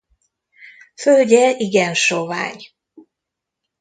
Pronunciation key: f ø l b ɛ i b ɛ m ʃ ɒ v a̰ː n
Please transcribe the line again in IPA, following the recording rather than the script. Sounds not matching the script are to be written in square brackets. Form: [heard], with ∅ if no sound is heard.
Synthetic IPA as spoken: f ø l [ɟ] ɛ i [ɡ] ɛ [n] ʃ [o] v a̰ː [ɲ]